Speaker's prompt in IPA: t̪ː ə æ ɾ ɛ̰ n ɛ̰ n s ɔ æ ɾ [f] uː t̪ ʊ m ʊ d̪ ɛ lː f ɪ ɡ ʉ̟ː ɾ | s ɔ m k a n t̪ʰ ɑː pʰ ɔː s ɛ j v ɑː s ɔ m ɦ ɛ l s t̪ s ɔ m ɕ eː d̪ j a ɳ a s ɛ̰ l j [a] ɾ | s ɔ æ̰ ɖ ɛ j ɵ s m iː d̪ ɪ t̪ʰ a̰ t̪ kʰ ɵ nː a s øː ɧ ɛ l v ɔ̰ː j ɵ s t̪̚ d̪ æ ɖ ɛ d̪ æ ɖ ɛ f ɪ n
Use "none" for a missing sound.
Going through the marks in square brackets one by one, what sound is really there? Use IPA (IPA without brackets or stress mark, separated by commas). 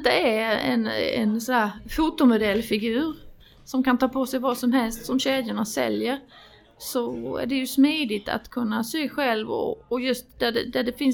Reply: f, ə